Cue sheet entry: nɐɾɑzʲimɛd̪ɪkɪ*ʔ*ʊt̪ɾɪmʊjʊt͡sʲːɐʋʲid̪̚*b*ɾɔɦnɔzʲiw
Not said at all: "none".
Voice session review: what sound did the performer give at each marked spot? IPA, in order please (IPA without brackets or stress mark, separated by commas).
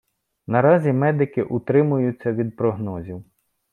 ʔ, p